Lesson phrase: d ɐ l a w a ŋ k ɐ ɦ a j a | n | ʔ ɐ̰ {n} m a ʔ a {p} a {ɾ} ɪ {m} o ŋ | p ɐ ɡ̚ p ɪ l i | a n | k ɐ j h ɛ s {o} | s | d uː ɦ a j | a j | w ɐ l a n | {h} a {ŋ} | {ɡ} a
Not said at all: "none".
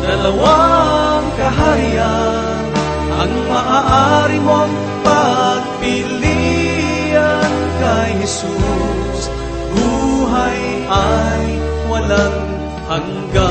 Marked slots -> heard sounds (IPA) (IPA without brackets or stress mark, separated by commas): ŋ, ʔ, ɾ, m, u, h, ŋ, ɡ